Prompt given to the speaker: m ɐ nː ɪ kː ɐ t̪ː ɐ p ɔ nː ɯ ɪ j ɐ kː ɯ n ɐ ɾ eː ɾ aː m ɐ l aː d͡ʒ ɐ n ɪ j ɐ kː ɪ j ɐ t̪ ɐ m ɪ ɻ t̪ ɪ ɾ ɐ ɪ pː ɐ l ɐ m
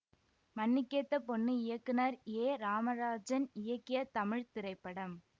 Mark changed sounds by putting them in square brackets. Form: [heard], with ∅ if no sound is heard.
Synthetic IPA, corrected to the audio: m ɐ nː ɪ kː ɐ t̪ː ɐ p ɔ nː ɯ ɪ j ɐ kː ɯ n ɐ ɾ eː ɾ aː m ɐ [ɾ] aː d͡ʒ ɐ n ɪ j ɐ kː ɪ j ɐ t̪ ɐ m ɪ ɻ t̪ ɪ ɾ ɐ ɪ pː ɐ [ɽ] ɐ m